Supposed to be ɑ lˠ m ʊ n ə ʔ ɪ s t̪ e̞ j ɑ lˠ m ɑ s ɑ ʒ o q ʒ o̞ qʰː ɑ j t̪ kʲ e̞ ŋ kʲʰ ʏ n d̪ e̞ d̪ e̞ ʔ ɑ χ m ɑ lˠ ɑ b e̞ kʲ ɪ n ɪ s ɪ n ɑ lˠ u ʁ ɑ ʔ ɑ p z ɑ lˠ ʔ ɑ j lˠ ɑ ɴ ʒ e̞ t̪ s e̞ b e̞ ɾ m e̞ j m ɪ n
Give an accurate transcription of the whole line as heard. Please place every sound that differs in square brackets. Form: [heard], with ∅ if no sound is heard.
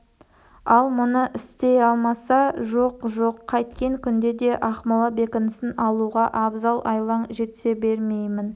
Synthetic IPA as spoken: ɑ lˠ m ʊ n ə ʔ ɪ s t̪ e̞ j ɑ lˠ m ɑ s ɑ ʒ o q ʒ o̞ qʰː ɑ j t̪ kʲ e̞ ŋ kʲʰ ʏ n d̪ e̞ d̪ e̞ ʔ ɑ χ m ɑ lˠ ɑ b e̞ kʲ ɪ n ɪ s ɪ n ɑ lˠ u ʁ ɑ ʔ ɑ [b] z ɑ lˠ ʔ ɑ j lˠ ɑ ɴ ʒ e̞ t̪ s e̞ b e̞ ɾ m e̞ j m ɪ n